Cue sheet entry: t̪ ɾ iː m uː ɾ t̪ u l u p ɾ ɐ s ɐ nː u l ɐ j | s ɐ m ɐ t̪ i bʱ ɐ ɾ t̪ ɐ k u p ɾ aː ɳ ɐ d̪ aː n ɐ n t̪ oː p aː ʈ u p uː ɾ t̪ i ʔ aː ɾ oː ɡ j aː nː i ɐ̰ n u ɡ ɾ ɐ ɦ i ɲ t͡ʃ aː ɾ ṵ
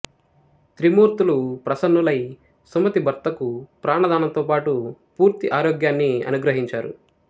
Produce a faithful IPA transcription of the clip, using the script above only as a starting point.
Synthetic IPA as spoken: t̪ ɾ i m uː ɾ t̪ u l u p ɾ ɐ s ɐ nː u l ɐ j | s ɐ m ɐ t̪ i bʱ ɐ ɾ t̪ ɐ k u p ɾ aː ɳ ɐ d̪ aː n ɐ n t̪ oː p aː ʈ u p uː ɾ t̪ i ʔ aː ɾ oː ɡ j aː nː i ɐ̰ n u ɡ ɾ ɐ ɦ i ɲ t͡ʃ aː ɾ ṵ